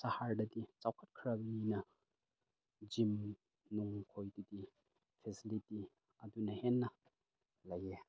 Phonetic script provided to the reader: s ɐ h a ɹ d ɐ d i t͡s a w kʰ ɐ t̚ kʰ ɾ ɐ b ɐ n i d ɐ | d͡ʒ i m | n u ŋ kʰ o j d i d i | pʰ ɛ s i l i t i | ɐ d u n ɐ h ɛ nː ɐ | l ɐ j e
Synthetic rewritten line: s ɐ h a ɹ d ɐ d i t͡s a w kʰ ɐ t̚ kʰ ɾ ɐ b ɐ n i n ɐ | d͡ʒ i m | n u ŋ kʰ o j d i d i | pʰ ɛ s i l i t i | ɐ d u n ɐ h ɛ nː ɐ | l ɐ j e